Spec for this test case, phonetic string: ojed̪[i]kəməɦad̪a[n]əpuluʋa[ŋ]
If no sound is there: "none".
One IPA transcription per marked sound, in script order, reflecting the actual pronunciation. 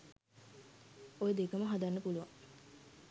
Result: e, nː, ŋ

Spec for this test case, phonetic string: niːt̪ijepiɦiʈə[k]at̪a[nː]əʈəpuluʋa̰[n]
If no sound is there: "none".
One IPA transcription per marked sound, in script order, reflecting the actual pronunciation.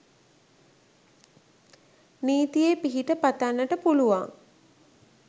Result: p, nː, ŋ

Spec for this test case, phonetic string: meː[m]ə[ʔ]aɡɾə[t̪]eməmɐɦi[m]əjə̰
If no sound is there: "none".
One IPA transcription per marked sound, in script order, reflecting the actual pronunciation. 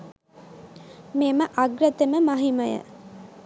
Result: m, ʔ, t̪, m

